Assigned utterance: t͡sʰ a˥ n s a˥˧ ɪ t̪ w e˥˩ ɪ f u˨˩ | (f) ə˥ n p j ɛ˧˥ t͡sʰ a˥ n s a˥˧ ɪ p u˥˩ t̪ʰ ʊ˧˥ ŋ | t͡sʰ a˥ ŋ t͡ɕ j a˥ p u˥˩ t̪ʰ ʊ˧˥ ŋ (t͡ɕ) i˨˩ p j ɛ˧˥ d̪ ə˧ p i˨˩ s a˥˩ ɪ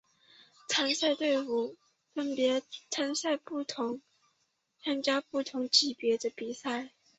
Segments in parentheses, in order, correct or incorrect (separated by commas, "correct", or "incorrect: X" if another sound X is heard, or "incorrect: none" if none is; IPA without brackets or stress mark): correct, correct